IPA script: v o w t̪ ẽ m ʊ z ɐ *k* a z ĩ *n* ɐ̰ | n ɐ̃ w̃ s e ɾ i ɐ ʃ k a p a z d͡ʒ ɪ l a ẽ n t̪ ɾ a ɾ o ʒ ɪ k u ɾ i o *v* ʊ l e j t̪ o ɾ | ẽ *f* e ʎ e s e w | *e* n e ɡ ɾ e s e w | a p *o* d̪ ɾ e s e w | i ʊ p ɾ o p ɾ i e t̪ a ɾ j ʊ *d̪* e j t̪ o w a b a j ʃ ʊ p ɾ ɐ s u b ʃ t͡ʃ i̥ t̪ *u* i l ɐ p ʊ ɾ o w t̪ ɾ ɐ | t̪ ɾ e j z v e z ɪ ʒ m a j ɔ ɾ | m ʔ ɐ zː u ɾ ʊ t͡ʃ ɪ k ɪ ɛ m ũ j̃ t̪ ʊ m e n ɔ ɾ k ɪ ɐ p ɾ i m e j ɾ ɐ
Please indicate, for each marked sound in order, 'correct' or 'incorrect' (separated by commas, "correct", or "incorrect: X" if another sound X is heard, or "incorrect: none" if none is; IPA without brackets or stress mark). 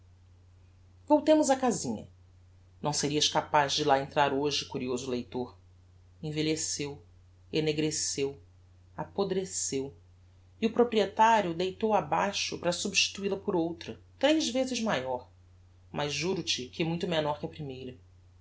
correct, incorrect: ɲ, incorrect: z, incorrect: v, correct, correct, correct, correct